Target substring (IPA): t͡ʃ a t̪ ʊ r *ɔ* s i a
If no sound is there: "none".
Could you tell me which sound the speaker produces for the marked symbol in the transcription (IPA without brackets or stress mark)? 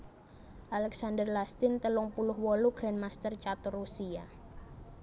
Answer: u